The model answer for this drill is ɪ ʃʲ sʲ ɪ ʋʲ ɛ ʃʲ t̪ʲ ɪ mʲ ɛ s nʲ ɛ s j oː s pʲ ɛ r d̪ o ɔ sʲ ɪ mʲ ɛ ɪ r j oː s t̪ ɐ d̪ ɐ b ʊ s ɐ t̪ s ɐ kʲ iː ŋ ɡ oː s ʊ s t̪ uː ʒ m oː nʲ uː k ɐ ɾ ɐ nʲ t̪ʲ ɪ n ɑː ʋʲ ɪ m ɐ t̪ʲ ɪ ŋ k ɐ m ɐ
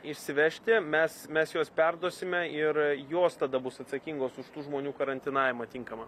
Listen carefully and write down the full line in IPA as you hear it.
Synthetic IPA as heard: ɪ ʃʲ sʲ ɪ ʋʲ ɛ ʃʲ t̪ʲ ɪ mʲ ɛ s mʲ ɛ s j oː s pʲ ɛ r d̪ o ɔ sʲ ɪ mʲ ɛ ɪ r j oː s t̪ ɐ d̪ ɐ b ʊ s ɐ t̪ s ɐ kʲ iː ŋ ɡ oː s ʊ ʃ t̪ uː ʒ m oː nʲ uː k ɐ ɾ ɐ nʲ t̪ʲ ɪ n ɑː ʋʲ ɪ m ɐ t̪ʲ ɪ ŋ k ɐ m ɐ

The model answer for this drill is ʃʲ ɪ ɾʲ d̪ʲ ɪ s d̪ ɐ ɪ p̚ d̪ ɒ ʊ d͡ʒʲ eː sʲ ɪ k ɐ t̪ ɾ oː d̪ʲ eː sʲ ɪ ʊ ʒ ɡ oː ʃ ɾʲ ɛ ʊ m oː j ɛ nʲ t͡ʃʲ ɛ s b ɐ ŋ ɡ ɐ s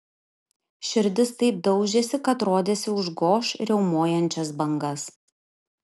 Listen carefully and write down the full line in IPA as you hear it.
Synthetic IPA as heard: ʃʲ ɪ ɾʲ d̪ʲ ɪ s t̪ ɐ ɪ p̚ d̪ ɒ ʊ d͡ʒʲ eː sʲ ɪ k ɐ t̪ ɾ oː d̪ʲ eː sʲ ɪ ʊ ʒ ɡ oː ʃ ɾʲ ɛ ʊ m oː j ɛ nʲ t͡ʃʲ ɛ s b ɐ ŋ ɡ ɐ s

